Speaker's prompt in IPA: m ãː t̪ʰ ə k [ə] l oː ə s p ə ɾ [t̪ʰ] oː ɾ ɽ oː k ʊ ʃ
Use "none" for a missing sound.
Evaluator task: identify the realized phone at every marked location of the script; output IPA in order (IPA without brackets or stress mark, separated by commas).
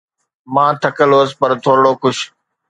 ə, t̪ʰ